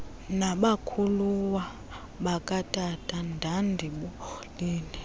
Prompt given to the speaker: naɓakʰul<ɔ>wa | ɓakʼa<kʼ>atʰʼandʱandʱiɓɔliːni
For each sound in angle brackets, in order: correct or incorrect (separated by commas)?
incorrect, incorrect